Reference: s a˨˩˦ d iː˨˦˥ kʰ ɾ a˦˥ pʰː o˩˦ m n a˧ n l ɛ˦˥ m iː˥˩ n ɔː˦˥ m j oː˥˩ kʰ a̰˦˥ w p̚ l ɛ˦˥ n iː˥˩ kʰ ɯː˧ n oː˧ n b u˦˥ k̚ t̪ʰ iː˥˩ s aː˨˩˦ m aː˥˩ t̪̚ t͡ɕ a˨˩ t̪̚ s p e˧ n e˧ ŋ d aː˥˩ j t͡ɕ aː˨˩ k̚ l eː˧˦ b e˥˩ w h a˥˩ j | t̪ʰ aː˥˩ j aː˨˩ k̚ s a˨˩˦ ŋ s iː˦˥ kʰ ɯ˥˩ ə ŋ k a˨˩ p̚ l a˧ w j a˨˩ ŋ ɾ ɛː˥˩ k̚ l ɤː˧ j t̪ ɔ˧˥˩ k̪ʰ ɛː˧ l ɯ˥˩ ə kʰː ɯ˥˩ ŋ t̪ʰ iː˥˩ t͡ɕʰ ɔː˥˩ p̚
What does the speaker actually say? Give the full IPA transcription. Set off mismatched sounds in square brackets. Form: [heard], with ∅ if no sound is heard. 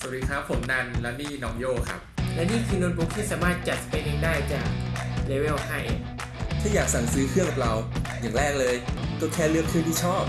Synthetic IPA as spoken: s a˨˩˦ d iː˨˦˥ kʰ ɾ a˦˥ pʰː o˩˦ m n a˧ n l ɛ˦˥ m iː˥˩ n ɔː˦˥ [ŋ] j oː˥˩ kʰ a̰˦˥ [∅] p̚ l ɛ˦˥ n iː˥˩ kʰ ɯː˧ n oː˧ n b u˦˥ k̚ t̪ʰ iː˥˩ s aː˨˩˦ m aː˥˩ t̪̚ t͡ɕ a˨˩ t̪̚ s p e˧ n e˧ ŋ d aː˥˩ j t͡ɕ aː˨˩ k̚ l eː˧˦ [w] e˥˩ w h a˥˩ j | t̪ʰ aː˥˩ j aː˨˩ k̚ s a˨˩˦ ŋ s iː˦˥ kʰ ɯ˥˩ ə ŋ k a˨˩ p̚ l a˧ w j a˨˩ ŋ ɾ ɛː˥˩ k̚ l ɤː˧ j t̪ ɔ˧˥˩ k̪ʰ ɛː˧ l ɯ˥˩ ə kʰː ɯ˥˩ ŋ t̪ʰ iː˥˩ t͡ɕʰ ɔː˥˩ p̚

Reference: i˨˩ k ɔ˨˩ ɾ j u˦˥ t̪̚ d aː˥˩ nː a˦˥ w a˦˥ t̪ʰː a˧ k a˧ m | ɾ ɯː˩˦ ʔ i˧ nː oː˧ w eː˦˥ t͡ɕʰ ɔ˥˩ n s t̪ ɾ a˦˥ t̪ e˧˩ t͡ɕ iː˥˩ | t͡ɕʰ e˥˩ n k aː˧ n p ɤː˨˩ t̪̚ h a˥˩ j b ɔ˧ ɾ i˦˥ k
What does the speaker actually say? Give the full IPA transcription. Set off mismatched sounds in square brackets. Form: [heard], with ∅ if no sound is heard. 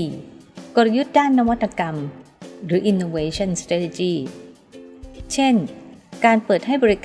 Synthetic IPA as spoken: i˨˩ k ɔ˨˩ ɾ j u˦˥ t̪̚ d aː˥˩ nː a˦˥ w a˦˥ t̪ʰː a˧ k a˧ m | ɾ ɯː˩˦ ʔ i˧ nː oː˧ w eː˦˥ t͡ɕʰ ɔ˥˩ n s t̪ ɾ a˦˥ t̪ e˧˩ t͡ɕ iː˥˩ | t͡ɕʰ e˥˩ n k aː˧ n p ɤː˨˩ t̪̚ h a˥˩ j b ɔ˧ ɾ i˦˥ k

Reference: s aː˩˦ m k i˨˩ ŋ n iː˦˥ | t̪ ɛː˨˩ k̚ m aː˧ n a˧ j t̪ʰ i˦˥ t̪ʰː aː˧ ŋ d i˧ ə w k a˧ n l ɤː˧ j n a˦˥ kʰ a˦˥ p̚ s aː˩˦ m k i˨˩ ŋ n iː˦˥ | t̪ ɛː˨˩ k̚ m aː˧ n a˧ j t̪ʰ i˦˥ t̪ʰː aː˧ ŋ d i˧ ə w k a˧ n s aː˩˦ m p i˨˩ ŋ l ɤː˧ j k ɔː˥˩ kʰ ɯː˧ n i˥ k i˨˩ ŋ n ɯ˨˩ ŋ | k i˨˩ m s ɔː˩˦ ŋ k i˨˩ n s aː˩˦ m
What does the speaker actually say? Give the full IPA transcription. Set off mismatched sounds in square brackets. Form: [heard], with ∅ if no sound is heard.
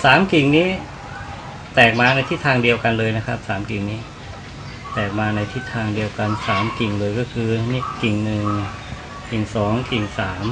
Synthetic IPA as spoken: s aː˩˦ m k i˨˩ ŋ n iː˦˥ | t̪ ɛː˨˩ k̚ m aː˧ n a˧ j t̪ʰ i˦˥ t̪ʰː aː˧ ŋ d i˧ ə w k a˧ n l ɤː˧ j n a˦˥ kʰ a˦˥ p̚ s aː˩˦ m k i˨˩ ŋ n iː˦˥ | t̪ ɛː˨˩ k̚ m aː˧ n a˧ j t̪ʰ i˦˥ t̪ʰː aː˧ ŋ d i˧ ə w k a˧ n s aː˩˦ m [k] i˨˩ ŋ l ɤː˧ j k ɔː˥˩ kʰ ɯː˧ n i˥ k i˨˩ ŋ n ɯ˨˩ ŋ | k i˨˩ [ŋ] s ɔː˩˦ ŋ k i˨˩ [ŋ] s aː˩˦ m

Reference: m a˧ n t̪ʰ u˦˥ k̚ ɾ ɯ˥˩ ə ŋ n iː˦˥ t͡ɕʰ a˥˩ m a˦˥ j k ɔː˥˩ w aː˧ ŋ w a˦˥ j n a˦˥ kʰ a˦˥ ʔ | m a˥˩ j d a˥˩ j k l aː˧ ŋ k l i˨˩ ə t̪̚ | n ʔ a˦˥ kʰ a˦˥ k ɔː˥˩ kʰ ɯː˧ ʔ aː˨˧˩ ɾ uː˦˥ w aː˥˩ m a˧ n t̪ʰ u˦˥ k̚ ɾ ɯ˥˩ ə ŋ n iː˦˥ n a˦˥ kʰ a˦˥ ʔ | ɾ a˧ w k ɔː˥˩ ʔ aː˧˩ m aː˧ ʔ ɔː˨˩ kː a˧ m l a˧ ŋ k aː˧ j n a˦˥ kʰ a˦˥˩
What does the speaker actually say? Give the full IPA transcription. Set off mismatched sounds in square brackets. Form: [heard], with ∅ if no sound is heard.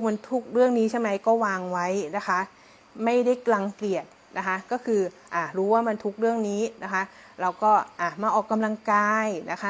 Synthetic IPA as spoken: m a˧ n t̪ʰ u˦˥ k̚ ɾ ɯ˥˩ ə ŋ n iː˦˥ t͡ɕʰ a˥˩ m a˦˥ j k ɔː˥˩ w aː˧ ŋ w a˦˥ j n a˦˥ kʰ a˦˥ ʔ | m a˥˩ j d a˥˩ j k l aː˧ ŋ k l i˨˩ ə t̪̚ | n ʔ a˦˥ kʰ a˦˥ k ɔː˥˩ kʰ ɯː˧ ʔ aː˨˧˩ ɾ uː˦˥ w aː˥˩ m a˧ n t̪ʰ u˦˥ k̚ ɾ ɯ˥˩ ə ŋ n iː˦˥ n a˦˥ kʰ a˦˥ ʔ | ɾ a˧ w k ɔː˥˩ ʔ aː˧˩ m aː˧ ʔ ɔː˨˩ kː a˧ m l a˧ ŋ k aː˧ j n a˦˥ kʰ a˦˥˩

